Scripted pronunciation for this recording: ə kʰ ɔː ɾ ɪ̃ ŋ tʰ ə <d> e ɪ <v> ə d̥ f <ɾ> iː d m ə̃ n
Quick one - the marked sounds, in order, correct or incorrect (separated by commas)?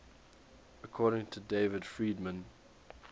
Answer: correct, correct, incorrect